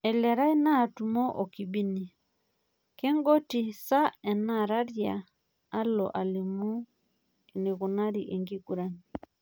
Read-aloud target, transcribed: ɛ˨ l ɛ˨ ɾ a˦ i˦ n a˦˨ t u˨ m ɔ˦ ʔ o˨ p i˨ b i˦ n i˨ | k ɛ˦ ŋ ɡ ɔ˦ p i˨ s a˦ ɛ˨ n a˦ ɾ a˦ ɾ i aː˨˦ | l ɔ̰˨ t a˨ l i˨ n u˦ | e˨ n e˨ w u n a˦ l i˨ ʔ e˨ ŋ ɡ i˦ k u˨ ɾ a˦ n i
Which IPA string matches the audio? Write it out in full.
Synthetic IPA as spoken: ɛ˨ l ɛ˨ ɾ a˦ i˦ n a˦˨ t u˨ m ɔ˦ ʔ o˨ k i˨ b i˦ n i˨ | k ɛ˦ ŋ ɡ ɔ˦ t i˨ s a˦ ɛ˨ n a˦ ɾ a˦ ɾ j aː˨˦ | l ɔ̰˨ ʔ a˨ l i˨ m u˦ | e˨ n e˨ ɣ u n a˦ ɾ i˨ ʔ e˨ ŋ ɡ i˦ k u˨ ɾ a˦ n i